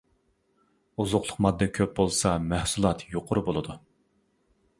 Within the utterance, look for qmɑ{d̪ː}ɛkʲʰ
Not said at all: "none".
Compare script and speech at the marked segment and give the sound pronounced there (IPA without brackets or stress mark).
d̪ː